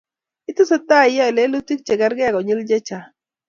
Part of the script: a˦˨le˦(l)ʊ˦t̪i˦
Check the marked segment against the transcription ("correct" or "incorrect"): correct